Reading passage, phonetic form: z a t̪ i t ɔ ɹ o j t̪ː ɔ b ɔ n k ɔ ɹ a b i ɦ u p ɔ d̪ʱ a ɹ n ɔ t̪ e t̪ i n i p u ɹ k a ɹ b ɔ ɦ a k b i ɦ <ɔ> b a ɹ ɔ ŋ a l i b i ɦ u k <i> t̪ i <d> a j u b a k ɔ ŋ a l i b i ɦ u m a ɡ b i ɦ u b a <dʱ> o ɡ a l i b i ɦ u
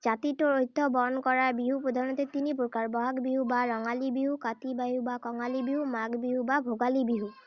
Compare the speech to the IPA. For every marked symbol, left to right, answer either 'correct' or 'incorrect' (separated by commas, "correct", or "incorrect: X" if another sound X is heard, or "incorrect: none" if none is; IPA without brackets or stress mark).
incorrect: u, incorrect: a, incorrect: b, incorrect: bʱ